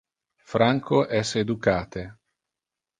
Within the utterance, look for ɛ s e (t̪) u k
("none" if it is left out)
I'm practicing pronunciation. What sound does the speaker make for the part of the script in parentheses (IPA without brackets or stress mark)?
d̪